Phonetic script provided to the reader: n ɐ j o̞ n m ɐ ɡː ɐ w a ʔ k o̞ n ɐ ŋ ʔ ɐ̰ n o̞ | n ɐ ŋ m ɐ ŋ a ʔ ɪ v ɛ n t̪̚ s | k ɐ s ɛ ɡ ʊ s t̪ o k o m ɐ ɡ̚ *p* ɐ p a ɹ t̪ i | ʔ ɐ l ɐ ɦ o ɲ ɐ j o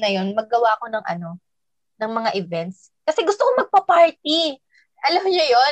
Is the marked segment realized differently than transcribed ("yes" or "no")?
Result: no